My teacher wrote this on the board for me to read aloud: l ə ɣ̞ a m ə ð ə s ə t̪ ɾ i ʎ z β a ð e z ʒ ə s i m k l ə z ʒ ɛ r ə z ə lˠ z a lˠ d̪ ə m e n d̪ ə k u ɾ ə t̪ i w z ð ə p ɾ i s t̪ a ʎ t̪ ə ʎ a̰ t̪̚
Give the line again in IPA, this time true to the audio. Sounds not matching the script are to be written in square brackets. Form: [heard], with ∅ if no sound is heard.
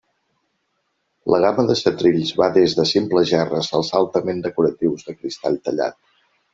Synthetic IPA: l ə ɣ̞ a m ə ð ə s ə t̪ ɾ i ʎ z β a ð e z [ð] ə s i m [p] l ə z ʒ ɛ r ə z ə lˠ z a lˠ [t̪] ə m e n d̪ ə k u ɾ ə t̪ i w z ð ə [k] ɾ i s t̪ a ʎ t̪ ə ʎ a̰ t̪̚